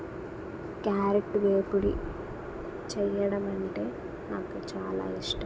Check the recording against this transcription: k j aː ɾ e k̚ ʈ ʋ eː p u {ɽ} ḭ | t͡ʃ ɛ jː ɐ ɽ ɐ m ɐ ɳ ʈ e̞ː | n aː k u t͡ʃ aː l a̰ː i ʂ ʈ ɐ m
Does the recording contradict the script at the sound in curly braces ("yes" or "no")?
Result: no